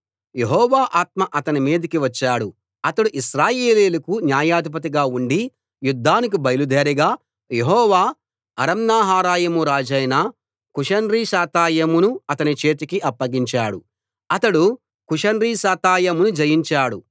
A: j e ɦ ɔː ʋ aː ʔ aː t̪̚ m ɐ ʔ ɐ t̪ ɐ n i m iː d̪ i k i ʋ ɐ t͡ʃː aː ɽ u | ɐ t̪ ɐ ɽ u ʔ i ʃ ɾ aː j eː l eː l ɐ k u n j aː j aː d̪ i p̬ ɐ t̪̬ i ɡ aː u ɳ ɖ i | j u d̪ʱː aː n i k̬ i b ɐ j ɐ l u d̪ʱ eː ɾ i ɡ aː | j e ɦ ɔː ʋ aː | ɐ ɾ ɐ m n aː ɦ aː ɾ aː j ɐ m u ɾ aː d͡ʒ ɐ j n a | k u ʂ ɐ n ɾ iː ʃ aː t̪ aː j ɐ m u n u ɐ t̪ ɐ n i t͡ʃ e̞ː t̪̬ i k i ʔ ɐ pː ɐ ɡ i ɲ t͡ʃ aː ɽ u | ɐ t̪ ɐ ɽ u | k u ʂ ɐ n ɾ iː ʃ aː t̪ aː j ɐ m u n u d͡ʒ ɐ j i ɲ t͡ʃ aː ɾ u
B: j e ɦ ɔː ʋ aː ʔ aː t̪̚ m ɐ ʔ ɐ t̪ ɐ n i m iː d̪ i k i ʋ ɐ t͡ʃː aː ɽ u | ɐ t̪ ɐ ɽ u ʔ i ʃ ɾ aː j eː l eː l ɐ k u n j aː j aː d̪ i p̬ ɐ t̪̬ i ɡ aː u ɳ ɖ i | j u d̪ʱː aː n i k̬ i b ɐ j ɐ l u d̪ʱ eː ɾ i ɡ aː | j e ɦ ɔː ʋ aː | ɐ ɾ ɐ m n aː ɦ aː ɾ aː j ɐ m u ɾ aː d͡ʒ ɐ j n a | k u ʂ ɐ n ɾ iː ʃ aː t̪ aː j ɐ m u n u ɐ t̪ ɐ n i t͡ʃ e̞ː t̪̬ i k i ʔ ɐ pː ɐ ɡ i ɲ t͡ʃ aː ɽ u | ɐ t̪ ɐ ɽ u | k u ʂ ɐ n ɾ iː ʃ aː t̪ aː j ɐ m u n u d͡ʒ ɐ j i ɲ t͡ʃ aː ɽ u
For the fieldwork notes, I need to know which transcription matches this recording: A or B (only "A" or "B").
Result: B